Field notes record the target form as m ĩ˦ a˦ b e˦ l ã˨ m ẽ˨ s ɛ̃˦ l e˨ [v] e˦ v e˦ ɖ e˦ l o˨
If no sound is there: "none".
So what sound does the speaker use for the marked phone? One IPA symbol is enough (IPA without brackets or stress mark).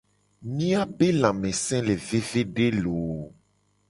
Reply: v